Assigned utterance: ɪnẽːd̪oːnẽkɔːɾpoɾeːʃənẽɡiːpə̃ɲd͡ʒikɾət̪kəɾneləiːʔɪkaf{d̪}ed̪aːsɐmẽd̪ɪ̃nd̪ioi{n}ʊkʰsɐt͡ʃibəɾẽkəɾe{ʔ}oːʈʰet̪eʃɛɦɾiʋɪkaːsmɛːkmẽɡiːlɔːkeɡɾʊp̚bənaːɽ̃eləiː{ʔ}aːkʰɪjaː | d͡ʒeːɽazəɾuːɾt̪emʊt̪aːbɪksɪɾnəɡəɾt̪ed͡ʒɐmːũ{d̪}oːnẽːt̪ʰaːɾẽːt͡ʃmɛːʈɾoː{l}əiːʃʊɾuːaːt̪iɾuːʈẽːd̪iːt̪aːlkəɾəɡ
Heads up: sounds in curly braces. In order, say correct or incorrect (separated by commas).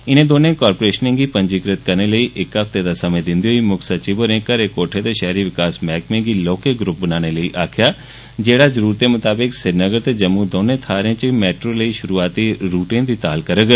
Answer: incorrect, incorrect, incorrect, correct, correct, correct